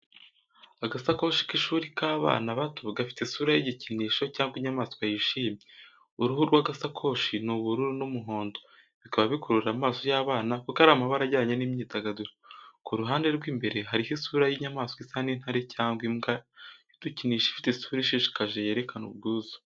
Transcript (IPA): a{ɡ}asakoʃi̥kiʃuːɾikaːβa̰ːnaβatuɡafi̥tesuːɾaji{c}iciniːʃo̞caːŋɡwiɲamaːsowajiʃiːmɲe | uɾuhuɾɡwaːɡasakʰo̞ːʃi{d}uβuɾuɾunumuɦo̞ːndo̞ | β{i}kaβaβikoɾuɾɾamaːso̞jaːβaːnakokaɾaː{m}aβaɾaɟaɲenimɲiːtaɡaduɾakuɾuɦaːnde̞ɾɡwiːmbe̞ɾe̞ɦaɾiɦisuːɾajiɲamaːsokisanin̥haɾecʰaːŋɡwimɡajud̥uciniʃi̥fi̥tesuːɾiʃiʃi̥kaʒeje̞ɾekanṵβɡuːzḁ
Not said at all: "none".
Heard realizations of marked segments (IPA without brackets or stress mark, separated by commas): ɡ, ɟ, n, i, m